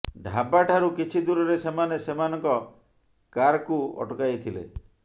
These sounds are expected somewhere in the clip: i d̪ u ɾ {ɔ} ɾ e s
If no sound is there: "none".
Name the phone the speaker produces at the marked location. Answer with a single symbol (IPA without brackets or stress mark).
ɔ